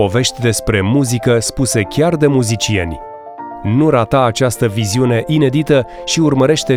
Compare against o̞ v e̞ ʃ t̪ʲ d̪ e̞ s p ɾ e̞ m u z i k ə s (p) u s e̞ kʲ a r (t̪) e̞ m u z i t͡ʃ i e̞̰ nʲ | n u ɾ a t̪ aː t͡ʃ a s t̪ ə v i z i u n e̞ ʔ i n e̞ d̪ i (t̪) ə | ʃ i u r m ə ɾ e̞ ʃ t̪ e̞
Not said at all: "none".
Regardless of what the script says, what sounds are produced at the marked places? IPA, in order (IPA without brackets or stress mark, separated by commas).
p, d̪, t̪